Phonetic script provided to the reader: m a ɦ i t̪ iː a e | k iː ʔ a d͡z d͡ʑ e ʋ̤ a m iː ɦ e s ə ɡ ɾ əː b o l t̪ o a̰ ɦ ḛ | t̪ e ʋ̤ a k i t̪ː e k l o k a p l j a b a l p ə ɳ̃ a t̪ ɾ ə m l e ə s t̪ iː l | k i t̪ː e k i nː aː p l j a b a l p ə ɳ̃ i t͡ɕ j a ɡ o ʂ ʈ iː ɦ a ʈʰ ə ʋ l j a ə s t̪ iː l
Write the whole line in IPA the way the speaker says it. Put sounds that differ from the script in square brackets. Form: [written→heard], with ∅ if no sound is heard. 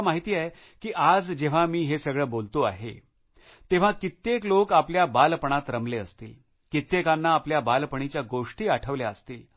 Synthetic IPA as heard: m a ɦ i t̪ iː a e | k iː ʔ a d͡z d͡ʑ e ʋ̤ a m iː ɦ e s ə ɡ [ɾ→ɭ] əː b o l t̪ o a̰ ɦ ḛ | t̪ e ʋ̤ a k i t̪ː e k l o k a p l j a b a l p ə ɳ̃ a t̪ ɾ ə m l e ə s t̪ iː l | k i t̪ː e k [i→a] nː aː p l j a b a l p ə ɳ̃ i t͡ɕ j a ɡ o ʂ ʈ iː [ɦ→∅] a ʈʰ ə ʋ l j a ə s t̪ iː l